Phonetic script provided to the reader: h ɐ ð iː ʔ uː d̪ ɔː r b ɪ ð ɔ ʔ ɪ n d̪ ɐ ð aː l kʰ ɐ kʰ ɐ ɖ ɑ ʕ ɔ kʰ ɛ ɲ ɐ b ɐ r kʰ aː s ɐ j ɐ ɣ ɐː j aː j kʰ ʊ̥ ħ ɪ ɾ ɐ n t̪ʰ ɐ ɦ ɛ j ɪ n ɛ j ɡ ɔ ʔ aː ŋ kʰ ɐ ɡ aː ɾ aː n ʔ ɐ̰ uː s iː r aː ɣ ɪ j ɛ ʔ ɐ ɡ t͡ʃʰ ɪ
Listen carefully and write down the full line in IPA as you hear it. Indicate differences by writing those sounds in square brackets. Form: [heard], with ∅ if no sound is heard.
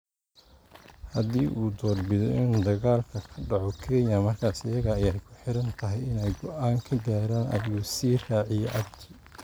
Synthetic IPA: h ɐ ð iː ʔ uː d̪ ɔː r b ɪ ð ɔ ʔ ɪ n d̪ ɐ [ɣ] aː l kʰ ɐ kʰ ɐ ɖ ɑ ʕ ɔ kʰ ɛ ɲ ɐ [m] ɐ r kʰ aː s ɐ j ɐ ɣ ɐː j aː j kʰ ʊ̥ ħ ɪ ɾ ɐ n t̪ʰ ɐ ɦ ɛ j ɪ n ɛ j ɡ ɔ ʔ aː ŋ kʰ ɐ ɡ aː ɾ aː n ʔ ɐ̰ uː s iː r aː [ʕ] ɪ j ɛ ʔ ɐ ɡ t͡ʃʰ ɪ